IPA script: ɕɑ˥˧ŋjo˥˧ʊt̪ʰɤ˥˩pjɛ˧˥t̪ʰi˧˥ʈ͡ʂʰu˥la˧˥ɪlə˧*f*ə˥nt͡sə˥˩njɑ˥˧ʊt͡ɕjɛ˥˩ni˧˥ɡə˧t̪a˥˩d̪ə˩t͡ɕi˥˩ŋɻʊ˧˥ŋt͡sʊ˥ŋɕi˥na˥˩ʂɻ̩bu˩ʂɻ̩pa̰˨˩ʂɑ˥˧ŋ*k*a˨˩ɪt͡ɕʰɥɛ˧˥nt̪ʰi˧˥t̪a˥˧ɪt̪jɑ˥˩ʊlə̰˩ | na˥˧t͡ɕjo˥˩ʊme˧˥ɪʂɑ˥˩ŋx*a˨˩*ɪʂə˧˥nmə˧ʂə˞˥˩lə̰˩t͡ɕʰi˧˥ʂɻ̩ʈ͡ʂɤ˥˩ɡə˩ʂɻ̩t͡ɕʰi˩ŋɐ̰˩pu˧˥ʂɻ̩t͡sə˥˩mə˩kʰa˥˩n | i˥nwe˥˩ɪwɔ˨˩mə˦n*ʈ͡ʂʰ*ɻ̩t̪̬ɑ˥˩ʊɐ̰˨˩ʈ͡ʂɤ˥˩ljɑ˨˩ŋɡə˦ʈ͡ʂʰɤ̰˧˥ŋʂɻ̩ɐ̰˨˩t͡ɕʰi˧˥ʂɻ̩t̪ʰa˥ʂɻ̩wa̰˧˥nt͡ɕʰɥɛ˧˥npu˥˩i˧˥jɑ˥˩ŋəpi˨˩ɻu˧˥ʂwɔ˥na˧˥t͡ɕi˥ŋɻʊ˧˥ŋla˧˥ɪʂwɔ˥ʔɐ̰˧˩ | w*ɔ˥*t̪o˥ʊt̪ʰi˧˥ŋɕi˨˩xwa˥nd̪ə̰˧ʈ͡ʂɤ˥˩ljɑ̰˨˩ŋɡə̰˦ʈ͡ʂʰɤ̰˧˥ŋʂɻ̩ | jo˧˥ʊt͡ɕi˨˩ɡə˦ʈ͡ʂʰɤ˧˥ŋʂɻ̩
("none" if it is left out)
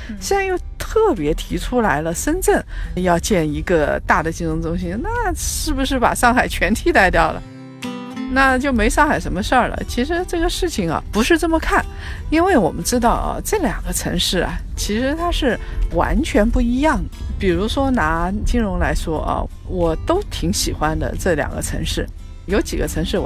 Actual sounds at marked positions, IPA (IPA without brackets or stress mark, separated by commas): ʂ, x, a˨˩, ʈ͡ʂ, ɔ˨˩